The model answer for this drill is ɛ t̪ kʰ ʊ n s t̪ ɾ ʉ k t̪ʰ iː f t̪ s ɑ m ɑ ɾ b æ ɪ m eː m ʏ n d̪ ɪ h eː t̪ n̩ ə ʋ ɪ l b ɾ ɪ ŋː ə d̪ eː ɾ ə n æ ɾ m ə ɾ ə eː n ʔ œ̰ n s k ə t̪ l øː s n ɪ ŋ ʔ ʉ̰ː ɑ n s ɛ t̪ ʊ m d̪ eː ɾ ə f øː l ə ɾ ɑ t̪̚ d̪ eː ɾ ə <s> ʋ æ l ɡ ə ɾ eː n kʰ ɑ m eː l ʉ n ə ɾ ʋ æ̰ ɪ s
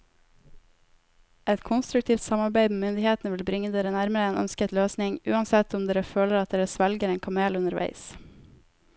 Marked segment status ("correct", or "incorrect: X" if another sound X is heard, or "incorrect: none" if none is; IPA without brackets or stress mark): correct